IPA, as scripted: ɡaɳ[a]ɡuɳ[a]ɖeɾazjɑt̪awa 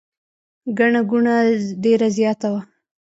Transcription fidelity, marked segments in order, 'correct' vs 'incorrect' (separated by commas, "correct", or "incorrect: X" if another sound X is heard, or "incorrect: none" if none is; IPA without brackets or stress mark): correct, correct